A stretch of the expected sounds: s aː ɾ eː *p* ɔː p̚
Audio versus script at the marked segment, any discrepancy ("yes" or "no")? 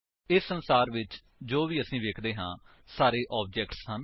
yes